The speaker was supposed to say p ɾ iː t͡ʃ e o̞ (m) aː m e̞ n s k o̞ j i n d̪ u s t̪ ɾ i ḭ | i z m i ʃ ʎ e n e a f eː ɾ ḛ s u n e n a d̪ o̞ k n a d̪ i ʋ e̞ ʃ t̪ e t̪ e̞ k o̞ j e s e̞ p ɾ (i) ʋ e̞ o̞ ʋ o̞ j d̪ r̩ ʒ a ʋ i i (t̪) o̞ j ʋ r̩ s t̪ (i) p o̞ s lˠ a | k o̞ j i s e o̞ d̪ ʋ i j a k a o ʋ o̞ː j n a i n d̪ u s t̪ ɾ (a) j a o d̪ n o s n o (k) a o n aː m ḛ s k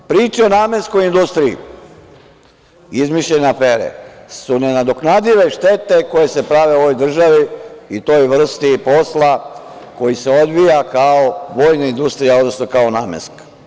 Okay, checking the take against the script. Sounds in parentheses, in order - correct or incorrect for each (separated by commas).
incorrect, incorrect, correct, correct, incorrect, correct